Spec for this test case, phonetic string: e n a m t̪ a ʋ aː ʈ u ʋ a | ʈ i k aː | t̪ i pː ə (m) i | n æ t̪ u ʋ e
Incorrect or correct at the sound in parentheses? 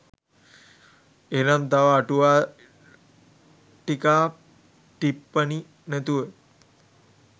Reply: incorrect: n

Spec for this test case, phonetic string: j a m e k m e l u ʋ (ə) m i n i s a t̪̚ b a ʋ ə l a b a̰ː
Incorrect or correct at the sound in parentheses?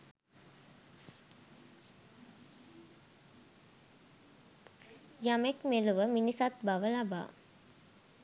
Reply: correct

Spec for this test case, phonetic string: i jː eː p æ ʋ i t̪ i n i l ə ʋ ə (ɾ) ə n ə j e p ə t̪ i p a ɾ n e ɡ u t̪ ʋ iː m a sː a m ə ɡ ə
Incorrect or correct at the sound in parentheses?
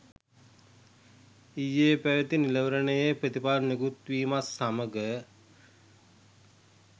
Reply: correct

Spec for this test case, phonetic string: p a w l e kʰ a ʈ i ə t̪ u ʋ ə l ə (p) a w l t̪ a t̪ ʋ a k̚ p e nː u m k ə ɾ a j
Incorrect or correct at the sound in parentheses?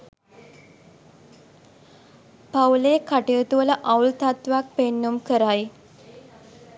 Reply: incorrect: ʔ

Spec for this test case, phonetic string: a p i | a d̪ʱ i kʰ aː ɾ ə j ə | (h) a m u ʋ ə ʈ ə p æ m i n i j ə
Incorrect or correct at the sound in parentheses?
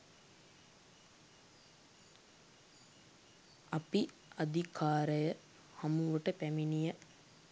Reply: correct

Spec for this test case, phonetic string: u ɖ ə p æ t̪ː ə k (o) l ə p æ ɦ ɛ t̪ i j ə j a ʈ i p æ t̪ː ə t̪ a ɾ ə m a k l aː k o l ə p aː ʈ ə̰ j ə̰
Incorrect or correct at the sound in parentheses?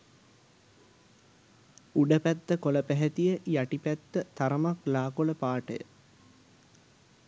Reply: correct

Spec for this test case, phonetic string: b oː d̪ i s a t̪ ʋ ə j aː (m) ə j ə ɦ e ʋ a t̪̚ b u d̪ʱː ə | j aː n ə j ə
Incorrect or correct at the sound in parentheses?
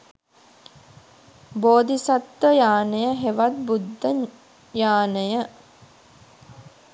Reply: incorrect: n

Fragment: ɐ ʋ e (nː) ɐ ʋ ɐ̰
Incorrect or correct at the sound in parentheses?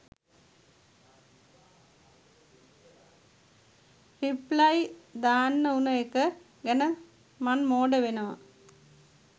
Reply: incorrect: n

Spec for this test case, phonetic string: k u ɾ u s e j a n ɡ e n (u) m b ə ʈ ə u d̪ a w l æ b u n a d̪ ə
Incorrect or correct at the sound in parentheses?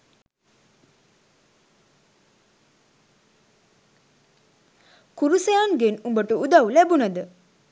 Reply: correct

